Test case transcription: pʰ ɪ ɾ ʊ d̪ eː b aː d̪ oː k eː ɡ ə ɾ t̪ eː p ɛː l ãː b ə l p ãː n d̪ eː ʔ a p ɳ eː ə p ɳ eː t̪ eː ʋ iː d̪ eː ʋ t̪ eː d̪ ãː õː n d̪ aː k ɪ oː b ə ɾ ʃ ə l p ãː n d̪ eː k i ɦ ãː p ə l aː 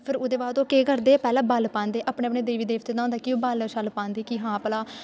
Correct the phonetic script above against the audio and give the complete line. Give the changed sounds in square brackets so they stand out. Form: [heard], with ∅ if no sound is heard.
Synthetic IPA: pʰ ɪ ɾ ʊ d̪ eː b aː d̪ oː k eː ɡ ə ɾ [d̪] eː p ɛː l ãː b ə l p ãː n d̪ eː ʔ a p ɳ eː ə p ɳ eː [d̪] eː ʋ iː d̪ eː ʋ t̪ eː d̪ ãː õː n d̪ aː k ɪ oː b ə [l] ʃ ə l p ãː n d̪ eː k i ɦ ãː p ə l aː